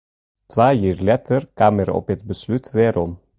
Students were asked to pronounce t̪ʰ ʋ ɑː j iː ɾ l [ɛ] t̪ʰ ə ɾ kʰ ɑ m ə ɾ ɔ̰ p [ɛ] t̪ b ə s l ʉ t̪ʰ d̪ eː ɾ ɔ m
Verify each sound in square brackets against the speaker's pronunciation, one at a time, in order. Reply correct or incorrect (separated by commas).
correct, correct